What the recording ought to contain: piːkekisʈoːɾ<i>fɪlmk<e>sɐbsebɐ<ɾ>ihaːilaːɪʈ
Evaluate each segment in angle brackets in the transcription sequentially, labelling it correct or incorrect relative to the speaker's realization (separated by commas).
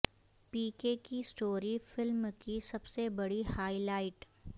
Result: correct, incorrect, incorrect